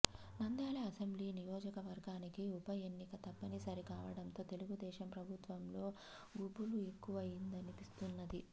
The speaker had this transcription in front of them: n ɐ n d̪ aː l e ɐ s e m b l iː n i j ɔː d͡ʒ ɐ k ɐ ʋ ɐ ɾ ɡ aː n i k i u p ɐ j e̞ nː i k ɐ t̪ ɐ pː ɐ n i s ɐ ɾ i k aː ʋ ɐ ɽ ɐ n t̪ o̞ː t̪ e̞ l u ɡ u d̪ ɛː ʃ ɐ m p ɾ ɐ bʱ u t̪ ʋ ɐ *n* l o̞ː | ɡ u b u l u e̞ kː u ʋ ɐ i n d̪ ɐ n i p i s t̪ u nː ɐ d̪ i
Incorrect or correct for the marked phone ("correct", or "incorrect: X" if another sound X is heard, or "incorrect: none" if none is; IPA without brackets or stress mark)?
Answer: incorrect: m